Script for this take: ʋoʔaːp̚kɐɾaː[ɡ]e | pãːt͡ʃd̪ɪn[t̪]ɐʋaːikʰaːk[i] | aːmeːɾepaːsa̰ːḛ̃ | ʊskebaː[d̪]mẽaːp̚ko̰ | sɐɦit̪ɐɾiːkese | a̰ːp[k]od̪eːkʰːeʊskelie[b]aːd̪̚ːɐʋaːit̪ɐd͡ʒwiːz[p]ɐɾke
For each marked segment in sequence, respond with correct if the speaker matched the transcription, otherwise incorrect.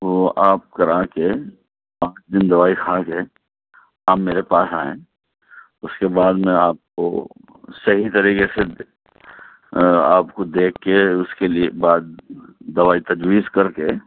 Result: incorrect: k, incorrect: d̪, incorrect: e, correct, correct, correct, incorrect: k

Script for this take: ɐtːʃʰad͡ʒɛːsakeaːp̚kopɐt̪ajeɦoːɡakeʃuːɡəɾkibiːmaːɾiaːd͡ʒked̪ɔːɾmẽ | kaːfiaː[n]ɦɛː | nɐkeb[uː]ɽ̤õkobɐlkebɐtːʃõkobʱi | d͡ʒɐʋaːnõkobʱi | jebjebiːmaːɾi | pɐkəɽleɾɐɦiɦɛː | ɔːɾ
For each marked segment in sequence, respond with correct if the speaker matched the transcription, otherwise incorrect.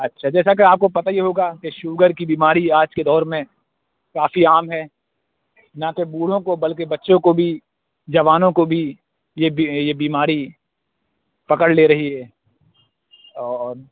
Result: incorrect: m, correct

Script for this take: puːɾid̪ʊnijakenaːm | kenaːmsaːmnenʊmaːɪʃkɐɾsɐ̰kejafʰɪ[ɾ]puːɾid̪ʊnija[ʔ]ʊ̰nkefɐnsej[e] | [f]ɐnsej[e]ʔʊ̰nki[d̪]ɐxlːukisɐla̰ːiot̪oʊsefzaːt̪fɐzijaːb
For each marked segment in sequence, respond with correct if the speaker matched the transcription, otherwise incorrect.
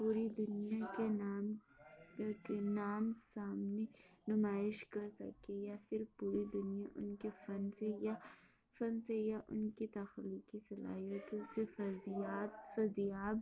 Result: correct, correct, incorrect: a, correct, incorrect: a, incorrect: t̪

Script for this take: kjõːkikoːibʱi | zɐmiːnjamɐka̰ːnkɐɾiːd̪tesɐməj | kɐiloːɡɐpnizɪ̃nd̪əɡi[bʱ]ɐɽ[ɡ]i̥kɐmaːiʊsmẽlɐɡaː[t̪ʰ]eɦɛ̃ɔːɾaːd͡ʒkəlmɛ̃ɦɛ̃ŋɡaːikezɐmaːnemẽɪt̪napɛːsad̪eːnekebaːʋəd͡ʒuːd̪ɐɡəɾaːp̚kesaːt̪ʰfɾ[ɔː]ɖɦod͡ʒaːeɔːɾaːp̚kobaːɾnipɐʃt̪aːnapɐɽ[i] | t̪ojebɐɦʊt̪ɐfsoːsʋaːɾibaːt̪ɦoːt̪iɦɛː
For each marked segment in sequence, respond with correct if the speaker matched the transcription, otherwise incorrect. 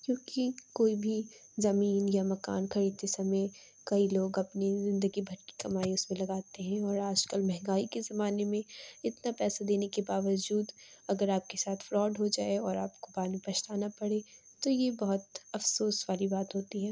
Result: correct, incorrect: k, incorrect: t̪, correct, incorrect: e

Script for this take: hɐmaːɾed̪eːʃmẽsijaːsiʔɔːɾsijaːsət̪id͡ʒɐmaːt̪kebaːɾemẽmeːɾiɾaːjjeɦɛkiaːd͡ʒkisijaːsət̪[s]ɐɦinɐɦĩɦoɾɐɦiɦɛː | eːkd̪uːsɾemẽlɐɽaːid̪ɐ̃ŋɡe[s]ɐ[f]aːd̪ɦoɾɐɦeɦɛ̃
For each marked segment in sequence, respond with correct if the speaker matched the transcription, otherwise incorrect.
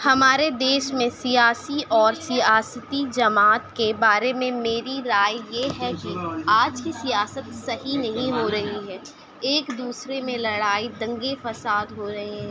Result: correct, incorrect: f, incorrect: s

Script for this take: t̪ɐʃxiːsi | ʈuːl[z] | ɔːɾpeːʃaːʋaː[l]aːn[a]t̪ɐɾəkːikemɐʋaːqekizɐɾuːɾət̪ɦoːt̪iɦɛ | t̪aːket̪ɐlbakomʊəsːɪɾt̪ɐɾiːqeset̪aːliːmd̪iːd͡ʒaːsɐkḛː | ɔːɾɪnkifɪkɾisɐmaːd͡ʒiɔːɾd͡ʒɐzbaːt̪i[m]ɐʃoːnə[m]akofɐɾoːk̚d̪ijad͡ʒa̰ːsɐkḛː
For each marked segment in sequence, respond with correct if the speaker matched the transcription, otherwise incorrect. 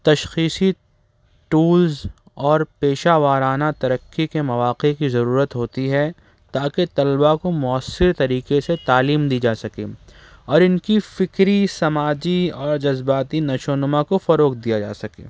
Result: correct, incorrect: ɾ, correct, incorrect: n, correct

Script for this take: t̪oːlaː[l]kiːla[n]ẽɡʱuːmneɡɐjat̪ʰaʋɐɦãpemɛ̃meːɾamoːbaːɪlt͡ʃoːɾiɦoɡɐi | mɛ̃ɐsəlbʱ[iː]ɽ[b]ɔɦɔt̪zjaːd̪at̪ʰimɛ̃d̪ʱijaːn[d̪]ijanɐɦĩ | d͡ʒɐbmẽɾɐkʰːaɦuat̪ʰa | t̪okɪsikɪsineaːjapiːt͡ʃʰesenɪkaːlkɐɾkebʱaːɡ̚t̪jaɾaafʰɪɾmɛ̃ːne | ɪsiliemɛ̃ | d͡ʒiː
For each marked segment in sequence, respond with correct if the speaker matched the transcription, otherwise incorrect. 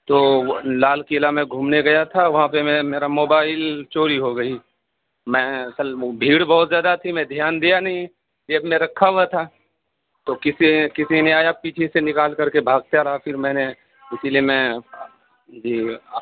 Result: correct, incorrect: m, correct, correct, correct

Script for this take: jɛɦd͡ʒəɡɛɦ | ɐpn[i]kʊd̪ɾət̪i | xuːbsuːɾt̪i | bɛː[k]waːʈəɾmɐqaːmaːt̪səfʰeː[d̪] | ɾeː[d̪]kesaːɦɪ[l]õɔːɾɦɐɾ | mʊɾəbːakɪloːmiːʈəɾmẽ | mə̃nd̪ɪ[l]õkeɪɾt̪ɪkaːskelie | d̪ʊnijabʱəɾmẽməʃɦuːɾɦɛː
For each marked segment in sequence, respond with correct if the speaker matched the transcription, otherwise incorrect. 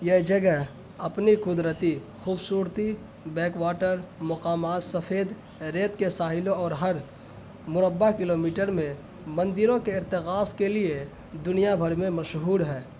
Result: correct, correct, correct, incorrect: t̪, correct, incorrect: ɾ

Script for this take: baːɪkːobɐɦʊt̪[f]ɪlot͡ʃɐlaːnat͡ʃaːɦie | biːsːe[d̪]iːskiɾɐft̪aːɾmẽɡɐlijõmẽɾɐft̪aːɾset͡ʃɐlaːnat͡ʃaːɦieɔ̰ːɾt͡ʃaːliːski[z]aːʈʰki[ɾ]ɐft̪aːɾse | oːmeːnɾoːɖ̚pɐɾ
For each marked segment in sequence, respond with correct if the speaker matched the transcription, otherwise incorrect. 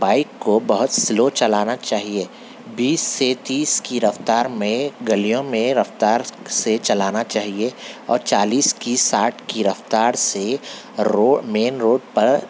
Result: incorrect: s, incorrect: t̪, incorrect: s, correct

